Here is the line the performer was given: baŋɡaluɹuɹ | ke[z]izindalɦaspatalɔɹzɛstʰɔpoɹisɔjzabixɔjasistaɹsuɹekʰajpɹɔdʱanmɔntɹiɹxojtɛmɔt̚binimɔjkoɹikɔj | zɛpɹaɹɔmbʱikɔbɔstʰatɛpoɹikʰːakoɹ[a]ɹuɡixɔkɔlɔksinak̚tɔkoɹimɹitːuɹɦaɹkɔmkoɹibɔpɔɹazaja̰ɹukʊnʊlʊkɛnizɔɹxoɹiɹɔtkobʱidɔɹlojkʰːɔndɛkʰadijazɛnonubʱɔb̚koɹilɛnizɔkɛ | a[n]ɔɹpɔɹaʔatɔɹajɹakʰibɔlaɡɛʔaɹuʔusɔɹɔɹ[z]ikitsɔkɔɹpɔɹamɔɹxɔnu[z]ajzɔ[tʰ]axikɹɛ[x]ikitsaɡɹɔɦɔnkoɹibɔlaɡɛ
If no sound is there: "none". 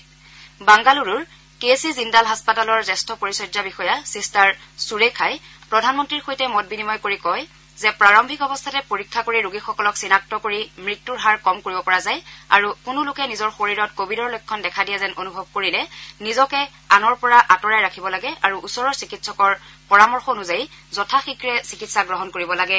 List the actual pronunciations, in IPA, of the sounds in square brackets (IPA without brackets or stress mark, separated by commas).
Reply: s, i, n, s, z, tʰ, s